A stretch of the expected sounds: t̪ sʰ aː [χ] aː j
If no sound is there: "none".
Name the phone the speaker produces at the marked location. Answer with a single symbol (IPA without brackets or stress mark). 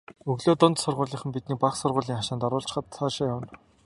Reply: ʃ